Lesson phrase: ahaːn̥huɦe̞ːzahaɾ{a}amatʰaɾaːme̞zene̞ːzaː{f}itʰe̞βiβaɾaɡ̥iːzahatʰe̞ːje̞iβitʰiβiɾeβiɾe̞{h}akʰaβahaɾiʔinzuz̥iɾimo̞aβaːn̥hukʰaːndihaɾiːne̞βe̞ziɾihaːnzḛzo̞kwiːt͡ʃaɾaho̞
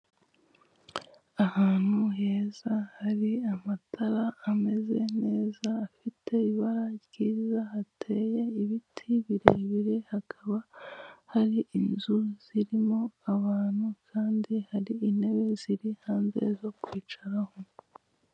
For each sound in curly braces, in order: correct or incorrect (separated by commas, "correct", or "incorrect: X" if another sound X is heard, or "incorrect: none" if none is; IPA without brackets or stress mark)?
incorrect: i, correct, correct